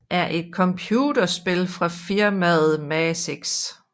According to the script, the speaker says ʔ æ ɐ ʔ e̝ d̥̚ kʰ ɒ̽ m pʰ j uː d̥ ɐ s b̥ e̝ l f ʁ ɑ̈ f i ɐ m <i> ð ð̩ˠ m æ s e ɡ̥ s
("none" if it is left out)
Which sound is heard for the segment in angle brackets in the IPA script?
æ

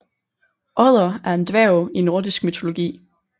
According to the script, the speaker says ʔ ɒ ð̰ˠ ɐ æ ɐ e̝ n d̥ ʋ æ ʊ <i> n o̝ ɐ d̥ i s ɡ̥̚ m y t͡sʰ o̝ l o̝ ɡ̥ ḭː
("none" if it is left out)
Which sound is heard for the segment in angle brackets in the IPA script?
i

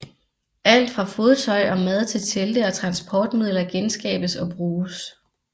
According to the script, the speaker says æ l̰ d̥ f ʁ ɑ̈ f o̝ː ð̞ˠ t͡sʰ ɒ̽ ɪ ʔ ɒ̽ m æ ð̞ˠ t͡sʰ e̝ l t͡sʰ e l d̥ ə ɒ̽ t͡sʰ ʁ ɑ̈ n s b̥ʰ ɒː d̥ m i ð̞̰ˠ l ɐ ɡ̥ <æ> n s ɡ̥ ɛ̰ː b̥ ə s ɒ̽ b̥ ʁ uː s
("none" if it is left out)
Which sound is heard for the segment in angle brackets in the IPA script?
e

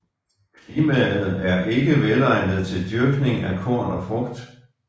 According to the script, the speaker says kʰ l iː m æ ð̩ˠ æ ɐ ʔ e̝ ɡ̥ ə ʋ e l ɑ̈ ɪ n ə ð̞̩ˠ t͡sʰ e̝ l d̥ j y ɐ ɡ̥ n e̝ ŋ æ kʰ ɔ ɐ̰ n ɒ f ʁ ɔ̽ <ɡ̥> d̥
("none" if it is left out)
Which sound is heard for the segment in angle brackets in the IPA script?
ɡ̥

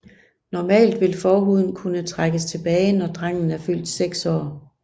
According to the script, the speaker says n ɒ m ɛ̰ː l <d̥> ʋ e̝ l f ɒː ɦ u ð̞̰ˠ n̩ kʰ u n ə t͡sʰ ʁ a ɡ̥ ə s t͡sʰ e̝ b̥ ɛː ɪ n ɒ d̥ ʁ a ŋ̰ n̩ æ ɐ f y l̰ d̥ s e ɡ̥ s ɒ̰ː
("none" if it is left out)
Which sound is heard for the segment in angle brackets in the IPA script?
d̥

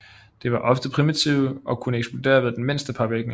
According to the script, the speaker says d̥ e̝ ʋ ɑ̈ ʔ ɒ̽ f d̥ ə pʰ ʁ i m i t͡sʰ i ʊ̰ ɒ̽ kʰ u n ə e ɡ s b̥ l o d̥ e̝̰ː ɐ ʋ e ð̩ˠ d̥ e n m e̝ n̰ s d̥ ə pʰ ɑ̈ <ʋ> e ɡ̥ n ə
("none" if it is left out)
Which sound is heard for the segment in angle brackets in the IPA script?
ʋ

